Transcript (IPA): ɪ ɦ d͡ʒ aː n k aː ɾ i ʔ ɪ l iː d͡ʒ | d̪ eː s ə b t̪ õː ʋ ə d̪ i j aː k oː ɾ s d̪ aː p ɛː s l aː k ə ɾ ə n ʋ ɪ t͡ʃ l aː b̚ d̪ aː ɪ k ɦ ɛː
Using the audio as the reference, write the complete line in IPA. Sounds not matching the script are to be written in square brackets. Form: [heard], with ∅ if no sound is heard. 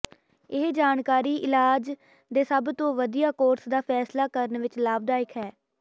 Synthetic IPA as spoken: ɪ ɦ d͡ʒ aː n k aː ɾ [iː] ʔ ɪ l [aː] d͡ʒ | d̪ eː s ə b t̪ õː ʋ ə d̪ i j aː k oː ɾ s d̪ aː [pʰ] ɛː s l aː k ə ɾ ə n ʋ ɪ t͡ʃ l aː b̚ d̪ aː ɪ k ɦ ɛː

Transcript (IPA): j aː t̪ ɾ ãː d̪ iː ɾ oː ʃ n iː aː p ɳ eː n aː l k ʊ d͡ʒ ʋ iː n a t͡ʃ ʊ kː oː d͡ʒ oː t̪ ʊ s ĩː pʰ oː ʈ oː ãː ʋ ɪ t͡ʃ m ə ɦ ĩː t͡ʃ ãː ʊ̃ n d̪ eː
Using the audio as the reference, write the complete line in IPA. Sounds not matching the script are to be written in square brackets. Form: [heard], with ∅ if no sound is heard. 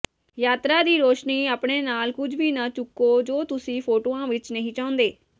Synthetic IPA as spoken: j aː t̪ ɾ [aː] d̪ iː ɾ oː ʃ n iː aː p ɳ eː n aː l k ʊ d͡ʒ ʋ iː n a t͡ʃ ʊ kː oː d͡ʒ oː t̪ ʊ s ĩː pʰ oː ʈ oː ãː ʋ ɪ t͡ʃ [n] ə ɦ ĩː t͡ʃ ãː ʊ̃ n d̪ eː

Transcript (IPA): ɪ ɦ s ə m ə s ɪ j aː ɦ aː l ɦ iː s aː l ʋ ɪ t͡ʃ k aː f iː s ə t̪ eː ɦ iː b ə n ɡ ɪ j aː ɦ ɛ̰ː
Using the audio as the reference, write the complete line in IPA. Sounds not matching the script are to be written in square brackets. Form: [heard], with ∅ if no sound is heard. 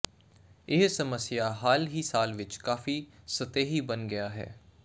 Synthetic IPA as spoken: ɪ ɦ s ə m ə s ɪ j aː ɦ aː l ɦ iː s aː l ʋ ɪ t͡ʃ k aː f iː s ə t̪ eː ɦ iː b ə n ɡ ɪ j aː ɦ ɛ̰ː

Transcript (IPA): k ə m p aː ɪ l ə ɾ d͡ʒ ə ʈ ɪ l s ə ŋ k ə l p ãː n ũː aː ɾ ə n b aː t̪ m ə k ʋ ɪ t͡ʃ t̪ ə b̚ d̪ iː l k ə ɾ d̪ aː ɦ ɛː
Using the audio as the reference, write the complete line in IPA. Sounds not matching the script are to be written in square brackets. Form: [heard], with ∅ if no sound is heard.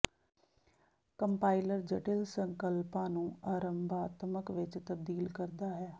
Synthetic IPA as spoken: k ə m p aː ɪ l ə ɾ d͡ʒ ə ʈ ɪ l s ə ŋ k ə l p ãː n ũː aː ɾ ə [m] b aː t̪ m ə k ʋ ɪ t͡ʃ t̪ ə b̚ d̪ iː l k ə ɾ d̪ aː ɦ ɛː

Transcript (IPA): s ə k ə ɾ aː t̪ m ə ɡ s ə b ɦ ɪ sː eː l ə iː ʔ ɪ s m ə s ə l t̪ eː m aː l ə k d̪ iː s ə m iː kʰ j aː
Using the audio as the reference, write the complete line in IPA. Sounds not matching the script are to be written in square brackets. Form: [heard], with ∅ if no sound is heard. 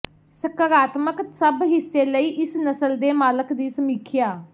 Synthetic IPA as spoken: s ə k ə ɾ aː t̪ m ə [k] s ə b ɦ ɪ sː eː l ə iː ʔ ɪ s [n] ə s ə l [d̪] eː m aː l ə k d̪ iː s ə m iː kʰ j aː

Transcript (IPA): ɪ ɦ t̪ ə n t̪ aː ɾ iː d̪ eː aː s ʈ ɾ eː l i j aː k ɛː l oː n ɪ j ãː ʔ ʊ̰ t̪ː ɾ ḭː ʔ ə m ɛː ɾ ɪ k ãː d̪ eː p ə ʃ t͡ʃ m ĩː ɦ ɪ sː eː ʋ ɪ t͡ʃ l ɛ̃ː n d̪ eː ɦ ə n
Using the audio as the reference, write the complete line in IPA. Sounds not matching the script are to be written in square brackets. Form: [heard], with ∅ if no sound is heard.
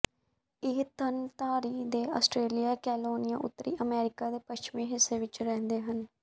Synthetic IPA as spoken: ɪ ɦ t̪ ə n t̪ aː ɾ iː d̪ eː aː s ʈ ɾ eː l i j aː k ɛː l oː n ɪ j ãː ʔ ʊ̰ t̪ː ɾ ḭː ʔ ə m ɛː ɾ ɪ k [aː] d̪ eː p ə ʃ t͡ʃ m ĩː ɦ ɪ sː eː ʋ ɪ t͡ʃ [ɾ] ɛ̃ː n d̪ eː ɦ ə n

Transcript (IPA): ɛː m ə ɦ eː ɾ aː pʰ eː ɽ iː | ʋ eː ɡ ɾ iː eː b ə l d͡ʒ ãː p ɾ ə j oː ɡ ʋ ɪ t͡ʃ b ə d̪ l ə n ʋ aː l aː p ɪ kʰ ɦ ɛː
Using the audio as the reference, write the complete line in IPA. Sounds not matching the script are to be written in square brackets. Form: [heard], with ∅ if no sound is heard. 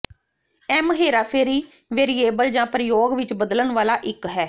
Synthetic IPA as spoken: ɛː m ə ɦ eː ɾ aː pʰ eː [ɾ] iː | ʋ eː [∅] ɾ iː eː b ə l d͡ʒ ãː p ɾ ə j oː ɡ ʋ ɪ t͡ʃ b ə d̪ l ə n ʋ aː l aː [ʔ] ɪ [k] ɦ ɛː

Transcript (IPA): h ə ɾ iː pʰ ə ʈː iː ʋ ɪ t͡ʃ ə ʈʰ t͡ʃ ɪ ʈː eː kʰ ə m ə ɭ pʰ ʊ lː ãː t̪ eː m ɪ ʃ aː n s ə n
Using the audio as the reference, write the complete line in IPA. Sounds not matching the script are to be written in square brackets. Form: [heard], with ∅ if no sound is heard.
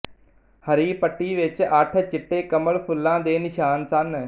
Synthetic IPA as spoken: h ə ɾ iː [p] ə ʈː iː ʋ ɪ t͡ʃ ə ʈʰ t͡ʃ ɪ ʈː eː [k] ə m ə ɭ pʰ ʊ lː ãː [d̪] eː [n] ɪ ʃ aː n s ə n

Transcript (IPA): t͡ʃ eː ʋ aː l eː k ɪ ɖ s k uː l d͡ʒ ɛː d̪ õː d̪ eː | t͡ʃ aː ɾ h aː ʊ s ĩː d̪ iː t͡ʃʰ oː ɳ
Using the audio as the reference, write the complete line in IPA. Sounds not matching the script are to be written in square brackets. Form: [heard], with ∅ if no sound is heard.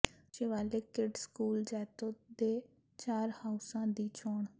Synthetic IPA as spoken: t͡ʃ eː ʋ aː l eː k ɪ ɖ s k uː l d͡ʒ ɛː [t̪] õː d̪ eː | t͡ʃ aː ɾ h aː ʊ s [ãː] d̪ iː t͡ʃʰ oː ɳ

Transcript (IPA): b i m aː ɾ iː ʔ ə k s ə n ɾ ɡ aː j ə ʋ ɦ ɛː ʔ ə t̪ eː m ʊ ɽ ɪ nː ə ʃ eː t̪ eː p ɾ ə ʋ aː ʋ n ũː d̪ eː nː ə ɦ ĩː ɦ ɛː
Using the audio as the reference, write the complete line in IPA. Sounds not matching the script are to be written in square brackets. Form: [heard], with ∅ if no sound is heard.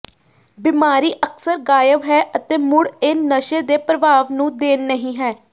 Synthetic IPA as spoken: b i m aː ɾ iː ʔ ə k s ə [∅] ɾ ɡ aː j ə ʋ ɦ ɛː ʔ ə t̪ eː m ʊ ɽ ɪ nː ə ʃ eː [d̪] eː p ɾ ə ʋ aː ʋ n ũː d̪ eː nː ə ɦ ĩː ɦ ɛː

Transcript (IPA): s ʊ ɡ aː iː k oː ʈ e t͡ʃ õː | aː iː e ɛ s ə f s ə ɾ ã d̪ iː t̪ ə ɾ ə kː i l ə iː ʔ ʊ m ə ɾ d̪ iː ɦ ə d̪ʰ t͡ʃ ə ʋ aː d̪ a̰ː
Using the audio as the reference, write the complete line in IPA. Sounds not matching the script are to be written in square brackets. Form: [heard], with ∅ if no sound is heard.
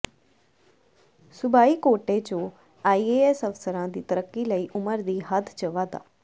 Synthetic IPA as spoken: s ʊ [b] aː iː k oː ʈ e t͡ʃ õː | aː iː e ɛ s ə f s ə ɾ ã d̪ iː t̪ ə ɾ ə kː i l ə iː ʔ ʊ m ə ɾ d̪ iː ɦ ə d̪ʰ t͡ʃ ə ʋ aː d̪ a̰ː

